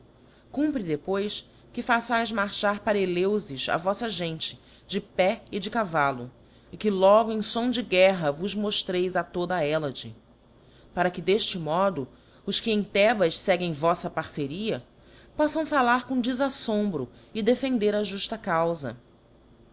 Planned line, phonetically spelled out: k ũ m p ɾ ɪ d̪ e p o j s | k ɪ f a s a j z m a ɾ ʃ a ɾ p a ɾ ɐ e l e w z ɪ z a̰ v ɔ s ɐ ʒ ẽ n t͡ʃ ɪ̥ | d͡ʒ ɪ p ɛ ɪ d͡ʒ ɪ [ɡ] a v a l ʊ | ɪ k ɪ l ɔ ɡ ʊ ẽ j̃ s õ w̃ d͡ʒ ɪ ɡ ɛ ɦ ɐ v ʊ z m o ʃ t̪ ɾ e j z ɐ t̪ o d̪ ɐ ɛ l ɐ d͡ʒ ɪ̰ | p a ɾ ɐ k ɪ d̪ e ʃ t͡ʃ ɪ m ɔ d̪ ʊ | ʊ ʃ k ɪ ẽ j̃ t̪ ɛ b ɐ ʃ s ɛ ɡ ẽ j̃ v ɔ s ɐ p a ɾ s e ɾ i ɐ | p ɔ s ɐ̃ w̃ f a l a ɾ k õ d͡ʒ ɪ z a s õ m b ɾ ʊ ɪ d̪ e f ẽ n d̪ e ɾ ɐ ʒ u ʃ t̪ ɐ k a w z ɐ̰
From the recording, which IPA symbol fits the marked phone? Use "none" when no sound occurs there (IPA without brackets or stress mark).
k